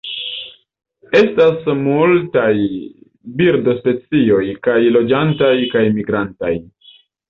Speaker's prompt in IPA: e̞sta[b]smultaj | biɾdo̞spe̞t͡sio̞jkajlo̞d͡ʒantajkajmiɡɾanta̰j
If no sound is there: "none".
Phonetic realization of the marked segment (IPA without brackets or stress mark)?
none